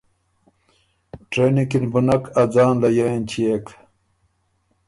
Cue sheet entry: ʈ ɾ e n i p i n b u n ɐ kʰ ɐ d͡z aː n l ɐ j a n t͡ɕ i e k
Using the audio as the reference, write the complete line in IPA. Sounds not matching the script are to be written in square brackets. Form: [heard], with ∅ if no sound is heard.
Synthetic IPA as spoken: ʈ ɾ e n i [k] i n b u n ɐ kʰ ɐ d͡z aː n l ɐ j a n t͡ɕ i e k

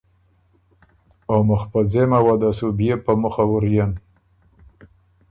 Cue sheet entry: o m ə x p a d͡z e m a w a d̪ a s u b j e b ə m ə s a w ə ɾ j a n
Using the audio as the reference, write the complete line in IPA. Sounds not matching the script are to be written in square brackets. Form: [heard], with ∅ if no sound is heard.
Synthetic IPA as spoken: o m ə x p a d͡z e m a w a d̪ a s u b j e [p] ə m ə [x] a w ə ɾ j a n

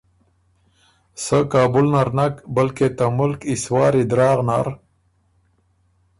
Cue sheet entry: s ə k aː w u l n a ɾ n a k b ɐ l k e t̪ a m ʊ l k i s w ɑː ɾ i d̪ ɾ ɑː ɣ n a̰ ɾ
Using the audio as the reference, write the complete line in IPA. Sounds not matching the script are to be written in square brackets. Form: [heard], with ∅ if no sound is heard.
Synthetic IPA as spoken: s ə k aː [b] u l n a ɾ n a k b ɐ l k e t̪ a m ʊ l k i s w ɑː ɾ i d̪ ɾ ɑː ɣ n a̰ ɾ

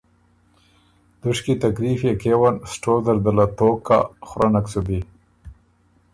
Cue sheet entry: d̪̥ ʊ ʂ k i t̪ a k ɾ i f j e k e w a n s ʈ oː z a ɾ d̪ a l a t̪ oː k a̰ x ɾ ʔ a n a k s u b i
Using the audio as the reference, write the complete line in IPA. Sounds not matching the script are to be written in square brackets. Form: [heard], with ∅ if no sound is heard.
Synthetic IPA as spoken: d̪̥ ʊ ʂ k i t̪ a k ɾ i f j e k e w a n s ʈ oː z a ɾ d̪ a l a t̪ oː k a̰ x ɾ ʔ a n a k s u b i

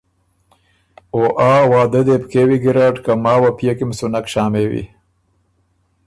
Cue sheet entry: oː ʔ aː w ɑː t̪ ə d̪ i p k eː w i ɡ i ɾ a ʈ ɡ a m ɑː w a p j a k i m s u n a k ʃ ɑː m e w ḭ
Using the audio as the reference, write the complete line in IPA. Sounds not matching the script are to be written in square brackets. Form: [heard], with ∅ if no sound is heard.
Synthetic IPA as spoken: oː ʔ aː w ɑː [d̪] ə d̪ [e] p k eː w i ɡ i ɾ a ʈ [k] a m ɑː w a p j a k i m s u n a k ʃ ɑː m e w ḭ

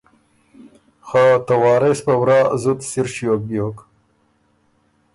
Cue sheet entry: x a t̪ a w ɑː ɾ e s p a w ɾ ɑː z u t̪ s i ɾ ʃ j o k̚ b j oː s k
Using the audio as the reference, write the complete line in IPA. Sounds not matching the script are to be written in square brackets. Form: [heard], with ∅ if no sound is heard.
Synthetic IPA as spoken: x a t̪ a w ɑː ɾ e s p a w ɾ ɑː z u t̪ s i ɾ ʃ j o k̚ b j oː [∅] k

